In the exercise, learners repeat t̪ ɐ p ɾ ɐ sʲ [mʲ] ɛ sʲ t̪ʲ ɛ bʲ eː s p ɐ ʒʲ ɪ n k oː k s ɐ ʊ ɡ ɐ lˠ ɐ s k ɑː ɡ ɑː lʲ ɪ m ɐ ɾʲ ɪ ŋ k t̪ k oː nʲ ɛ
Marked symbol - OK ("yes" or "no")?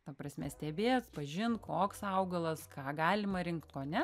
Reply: yes